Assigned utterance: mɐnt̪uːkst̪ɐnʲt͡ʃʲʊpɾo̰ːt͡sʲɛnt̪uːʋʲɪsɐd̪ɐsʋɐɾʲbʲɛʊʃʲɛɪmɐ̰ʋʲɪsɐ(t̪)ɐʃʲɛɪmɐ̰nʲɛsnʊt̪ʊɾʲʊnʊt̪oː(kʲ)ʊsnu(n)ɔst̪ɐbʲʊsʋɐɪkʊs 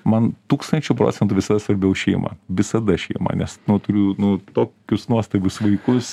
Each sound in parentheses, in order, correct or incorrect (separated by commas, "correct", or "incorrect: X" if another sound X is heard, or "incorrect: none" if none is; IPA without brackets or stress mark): incorrect: d̪, correct, incorrect: none